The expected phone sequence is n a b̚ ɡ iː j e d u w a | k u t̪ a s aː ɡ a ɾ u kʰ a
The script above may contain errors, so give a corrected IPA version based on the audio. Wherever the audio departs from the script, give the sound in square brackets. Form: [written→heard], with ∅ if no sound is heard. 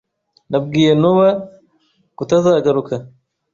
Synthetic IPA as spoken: n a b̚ ɡ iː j e [d→n] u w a | k u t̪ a [s→z] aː ɡ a ɾ u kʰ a